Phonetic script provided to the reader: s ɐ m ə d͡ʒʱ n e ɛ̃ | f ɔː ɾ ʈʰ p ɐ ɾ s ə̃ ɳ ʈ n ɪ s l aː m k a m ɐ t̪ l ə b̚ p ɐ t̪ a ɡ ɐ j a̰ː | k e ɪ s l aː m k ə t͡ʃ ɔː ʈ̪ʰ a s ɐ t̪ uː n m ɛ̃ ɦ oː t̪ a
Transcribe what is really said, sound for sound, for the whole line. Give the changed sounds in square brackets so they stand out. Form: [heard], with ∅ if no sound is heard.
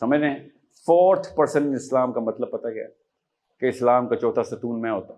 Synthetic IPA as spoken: s ɐ m ə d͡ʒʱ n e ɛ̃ | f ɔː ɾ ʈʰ p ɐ ɾ s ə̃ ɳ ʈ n ɪ s l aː m k a m ɐ t̪ l ə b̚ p ɐ t̪ a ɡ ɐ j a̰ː | k e ɪ s l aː m k [a] t͡ʃ ɔː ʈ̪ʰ a s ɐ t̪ uː n m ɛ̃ ɦ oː t̪ a